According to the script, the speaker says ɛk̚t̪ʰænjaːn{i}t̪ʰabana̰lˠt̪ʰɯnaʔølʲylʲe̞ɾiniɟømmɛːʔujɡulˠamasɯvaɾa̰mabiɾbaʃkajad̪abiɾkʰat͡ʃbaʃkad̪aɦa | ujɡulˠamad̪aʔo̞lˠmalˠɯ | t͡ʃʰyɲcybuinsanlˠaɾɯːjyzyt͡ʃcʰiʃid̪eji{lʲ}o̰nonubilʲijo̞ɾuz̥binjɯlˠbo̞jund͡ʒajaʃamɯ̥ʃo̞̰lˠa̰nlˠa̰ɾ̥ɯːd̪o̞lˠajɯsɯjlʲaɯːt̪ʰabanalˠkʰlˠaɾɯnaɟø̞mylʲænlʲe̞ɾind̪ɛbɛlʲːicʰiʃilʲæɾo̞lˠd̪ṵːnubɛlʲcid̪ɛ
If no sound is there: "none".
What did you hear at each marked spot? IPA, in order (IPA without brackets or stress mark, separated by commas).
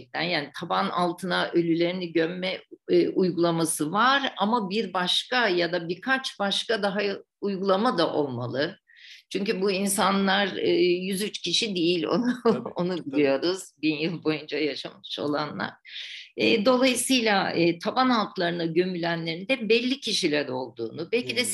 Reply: i, lʲ